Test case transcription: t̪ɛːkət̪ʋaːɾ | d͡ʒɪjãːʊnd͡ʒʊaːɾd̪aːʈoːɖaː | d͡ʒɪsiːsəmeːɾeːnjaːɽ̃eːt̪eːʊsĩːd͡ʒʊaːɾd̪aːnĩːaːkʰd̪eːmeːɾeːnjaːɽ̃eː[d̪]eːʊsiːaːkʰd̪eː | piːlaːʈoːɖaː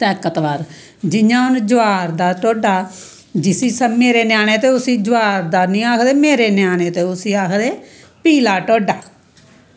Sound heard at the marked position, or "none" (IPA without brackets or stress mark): t̪